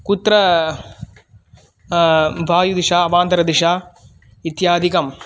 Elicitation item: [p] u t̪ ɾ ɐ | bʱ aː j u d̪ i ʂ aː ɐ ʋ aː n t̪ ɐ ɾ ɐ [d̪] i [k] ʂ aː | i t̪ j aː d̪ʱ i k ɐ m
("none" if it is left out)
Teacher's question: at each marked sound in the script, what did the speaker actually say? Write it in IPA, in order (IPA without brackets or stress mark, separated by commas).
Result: k, d̪, none